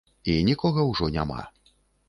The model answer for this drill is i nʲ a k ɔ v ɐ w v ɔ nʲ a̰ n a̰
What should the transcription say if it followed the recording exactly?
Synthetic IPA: i nʲ i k ɔ ɣ ɐ w ʐ ɔ nʲ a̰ m a̰